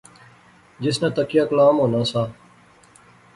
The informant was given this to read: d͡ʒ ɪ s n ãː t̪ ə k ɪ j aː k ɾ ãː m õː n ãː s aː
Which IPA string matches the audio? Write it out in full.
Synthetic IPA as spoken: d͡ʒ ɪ s n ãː t̪ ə k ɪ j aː k l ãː m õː n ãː s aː

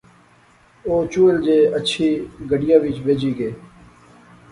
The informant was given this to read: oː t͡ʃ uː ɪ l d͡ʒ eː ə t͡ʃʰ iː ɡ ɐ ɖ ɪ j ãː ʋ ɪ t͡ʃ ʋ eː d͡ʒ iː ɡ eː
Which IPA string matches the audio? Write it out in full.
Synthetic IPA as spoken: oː t͡ʃ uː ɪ l d͡ʒ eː ə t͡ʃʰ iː ɡ ə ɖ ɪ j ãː ʋ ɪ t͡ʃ ʋ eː d͡ʒ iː ɡ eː

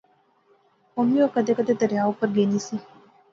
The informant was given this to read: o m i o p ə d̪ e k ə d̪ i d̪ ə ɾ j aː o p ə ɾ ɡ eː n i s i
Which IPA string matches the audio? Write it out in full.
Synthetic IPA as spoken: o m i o k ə d̪ e k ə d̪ e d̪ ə ɾ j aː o p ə ɾ ɡ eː n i s i

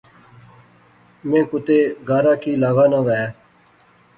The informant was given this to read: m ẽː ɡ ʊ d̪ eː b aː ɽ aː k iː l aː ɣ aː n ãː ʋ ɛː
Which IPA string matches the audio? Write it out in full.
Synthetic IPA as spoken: m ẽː k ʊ t̪ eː ɡ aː ɾ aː k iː l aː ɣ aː n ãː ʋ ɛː

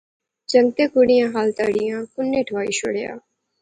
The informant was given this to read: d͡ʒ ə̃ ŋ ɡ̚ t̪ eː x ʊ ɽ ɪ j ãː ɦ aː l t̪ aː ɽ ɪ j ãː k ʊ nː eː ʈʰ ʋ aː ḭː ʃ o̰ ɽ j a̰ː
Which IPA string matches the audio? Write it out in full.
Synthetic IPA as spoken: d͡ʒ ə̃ ŋ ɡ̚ t̪ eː k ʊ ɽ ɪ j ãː ɦ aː l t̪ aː ɽ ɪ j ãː k ʊ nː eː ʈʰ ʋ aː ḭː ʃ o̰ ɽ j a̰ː

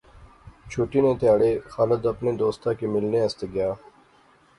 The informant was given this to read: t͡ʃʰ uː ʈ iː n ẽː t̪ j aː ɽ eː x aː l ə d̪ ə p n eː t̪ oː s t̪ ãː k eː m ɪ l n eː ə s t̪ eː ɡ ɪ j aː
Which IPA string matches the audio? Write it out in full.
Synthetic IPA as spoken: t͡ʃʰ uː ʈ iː n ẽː t̪ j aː ɽ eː x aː l ə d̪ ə p n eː d̪ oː s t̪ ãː k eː m ɪ l n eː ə s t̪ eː ɡ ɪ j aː

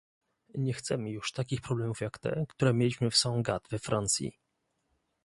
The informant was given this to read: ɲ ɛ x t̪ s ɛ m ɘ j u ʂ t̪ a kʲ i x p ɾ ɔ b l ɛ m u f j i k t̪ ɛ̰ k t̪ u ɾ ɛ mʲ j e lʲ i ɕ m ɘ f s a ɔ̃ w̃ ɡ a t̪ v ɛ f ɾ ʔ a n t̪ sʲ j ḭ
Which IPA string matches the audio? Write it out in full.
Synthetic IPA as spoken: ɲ ɛ x t̪ s ɛ m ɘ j u ʂ t̪ a kʲ i x p ɾ ɔ b l ɛ m u f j a k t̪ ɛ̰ k t̪ u ɾ ɛ mʲ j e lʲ i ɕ m ɘ f s a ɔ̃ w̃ ɡ a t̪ v ɛ f ɾ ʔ a n t̪ sʲ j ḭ

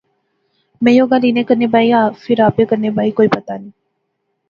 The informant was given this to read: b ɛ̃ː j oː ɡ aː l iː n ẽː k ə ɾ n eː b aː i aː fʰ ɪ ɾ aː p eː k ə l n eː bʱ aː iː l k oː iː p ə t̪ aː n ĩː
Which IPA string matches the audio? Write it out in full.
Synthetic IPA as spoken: m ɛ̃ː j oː ɡ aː l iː n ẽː k ə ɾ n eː b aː i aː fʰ ɪ ɾ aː p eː k ə ɾ n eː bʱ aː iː k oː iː p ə t̪ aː n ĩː

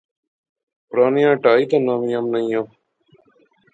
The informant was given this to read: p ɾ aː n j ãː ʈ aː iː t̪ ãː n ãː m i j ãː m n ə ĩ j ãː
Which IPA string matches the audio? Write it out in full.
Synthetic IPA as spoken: p ɾ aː n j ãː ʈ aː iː t̪ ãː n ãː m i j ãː m n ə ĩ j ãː

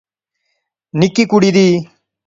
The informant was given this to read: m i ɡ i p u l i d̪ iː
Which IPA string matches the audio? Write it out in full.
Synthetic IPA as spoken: n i k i k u ɽ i d̪ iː

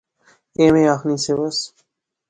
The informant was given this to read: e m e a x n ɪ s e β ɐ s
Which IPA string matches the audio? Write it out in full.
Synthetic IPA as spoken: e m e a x n i s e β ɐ s

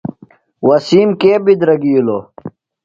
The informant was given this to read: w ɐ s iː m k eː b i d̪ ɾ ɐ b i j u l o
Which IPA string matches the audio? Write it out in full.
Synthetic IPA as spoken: w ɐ s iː m k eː b i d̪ ɾ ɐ ɡ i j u l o

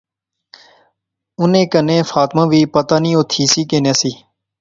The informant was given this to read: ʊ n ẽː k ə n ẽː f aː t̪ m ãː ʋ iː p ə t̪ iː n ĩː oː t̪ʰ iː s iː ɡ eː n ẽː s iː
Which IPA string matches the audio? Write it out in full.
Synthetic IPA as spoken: ʊ n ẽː k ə n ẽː f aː t̪ m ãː ʋ iː p ə t̪ aː n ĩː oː t̪ʰ iː s iː k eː n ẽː s iː

